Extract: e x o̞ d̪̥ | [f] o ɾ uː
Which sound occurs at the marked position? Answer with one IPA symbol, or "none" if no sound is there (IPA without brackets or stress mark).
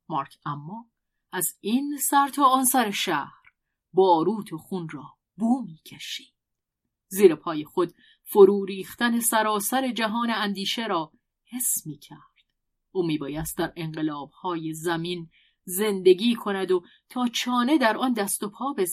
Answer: f